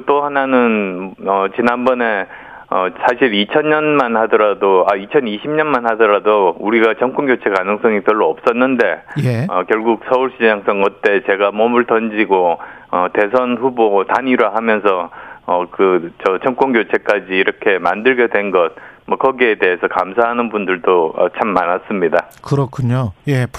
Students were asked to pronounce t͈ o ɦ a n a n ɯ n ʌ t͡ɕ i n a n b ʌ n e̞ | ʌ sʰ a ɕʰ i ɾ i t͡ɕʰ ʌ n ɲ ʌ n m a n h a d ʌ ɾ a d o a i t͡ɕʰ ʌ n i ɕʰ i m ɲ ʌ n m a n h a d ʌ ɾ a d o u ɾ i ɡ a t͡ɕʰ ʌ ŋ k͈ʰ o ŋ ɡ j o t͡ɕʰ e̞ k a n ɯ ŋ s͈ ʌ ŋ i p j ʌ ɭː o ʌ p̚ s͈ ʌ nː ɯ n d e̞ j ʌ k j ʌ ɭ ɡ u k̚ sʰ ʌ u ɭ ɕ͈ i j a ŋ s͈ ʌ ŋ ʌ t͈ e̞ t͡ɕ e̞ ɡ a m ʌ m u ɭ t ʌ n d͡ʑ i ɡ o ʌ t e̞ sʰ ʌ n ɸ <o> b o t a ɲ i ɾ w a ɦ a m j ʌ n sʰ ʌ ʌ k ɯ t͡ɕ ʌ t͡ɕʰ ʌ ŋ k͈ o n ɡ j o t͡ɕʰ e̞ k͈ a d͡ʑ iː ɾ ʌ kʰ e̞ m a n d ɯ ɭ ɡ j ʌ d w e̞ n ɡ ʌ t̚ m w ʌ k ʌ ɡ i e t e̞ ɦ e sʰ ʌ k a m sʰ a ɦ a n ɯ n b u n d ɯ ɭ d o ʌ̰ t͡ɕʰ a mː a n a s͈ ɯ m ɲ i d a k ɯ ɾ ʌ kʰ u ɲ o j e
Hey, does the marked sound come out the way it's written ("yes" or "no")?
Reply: no